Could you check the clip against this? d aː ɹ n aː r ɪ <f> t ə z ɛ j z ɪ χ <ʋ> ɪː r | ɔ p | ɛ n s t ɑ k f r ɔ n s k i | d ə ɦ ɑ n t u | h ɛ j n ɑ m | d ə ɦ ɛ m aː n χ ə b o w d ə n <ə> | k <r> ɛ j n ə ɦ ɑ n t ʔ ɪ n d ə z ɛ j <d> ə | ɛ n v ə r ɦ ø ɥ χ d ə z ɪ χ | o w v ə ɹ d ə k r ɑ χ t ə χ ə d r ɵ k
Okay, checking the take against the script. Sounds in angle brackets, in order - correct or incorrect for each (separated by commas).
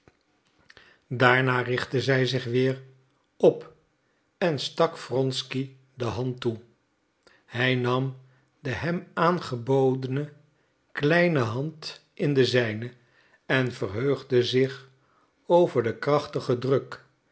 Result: incorrect, correct, correct, incorrect, incorrect